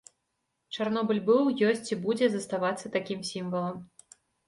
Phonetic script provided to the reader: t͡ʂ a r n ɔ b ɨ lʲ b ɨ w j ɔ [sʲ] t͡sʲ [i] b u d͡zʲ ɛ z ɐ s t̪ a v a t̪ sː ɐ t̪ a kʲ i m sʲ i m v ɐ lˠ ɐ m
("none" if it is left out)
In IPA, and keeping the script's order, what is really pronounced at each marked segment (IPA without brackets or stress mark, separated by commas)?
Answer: sʲ, i